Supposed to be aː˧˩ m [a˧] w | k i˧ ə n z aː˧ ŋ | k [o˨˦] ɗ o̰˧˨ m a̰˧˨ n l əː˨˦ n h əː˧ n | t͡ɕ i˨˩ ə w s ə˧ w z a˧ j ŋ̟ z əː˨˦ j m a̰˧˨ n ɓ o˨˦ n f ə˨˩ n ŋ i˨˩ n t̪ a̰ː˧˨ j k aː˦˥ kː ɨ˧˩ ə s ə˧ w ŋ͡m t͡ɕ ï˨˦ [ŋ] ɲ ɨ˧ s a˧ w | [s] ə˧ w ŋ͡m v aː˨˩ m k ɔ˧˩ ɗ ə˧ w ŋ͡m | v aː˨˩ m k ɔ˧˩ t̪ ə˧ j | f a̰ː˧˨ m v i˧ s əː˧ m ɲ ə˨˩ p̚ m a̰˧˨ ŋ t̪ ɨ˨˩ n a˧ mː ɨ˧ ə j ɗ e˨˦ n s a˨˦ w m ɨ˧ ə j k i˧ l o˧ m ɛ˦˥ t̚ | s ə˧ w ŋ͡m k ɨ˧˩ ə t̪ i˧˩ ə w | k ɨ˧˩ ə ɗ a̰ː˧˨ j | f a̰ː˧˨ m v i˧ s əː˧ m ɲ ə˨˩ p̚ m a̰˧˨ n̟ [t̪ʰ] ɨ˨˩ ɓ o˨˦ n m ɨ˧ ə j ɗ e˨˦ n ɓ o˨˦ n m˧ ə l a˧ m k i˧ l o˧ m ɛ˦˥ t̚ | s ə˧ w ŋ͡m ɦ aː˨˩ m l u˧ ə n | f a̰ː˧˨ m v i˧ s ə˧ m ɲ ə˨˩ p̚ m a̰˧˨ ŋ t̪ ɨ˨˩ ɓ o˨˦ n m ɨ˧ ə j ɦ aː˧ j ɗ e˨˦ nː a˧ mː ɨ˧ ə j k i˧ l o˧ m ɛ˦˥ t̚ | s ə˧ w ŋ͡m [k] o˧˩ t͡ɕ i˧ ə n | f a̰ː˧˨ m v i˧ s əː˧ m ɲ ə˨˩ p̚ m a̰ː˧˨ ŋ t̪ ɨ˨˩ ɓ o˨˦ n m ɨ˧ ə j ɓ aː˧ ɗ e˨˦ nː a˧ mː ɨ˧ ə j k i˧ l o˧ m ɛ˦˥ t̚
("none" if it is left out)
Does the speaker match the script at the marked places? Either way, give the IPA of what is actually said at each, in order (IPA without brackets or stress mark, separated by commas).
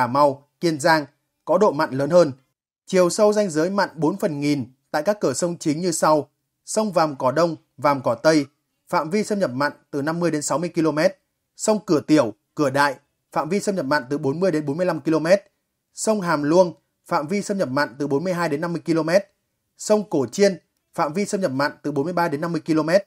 a˧, ɔ˨˦, ŋ, s, t̪, k